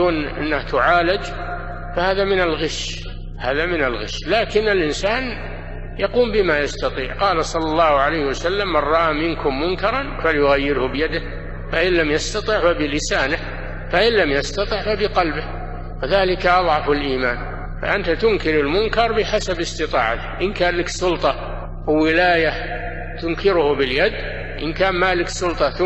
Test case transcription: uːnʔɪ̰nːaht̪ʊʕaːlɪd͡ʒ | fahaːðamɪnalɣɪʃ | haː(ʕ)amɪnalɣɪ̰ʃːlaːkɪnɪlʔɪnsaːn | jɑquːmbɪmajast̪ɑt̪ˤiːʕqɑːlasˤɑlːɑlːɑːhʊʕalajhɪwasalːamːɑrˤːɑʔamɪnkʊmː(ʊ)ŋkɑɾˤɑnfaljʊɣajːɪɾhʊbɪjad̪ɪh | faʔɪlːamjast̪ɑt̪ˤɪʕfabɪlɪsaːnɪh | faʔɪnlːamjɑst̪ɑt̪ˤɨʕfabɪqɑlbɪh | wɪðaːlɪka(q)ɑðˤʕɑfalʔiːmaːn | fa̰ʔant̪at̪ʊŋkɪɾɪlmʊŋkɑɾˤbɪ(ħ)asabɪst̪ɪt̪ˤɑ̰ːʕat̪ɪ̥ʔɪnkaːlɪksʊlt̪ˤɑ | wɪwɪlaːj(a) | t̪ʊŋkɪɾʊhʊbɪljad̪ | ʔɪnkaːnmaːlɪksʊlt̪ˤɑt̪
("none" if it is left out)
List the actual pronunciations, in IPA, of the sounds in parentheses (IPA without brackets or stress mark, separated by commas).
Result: ð, ʊ, ʔ, ħ, a